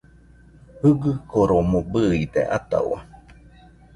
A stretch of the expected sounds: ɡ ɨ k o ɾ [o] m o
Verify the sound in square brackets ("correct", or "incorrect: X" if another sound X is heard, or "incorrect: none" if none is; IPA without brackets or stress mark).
correct